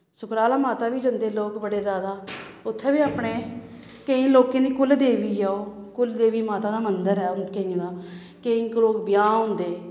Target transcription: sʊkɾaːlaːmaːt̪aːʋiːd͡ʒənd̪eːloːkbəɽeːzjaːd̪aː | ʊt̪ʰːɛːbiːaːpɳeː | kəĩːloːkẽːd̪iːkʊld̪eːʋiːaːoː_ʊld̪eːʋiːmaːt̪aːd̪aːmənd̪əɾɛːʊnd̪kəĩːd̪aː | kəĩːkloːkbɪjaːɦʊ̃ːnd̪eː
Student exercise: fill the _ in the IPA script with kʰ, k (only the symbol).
k